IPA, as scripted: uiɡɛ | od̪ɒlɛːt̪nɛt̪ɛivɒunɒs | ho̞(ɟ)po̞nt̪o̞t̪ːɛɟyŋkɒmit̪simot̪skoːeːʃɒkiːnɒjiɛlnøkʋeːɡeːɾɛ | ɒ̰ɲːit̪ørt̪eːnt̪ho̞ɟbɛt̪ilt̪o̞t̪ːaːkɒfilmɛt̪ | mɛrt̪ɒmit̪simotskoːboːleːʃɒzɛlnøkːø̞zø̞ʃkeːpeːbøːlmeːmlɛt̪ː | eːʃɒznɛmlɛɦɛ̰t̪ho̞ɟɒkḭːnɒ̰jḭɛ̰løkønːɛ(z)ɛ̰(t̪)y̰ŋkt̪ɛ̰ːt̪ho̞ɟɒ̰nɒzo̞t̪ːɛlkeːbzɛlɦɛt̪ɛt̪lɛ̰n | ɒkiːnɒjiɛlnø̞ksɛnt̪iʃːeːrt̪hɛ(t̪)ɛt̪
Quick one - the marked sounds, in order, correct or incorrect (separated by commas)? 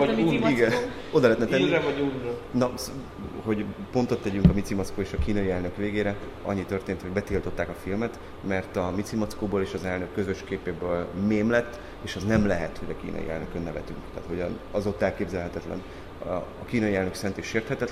correct, incorrect, correct, correct